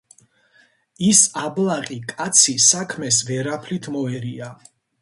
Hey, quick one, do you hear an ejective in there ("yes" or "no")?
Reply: yes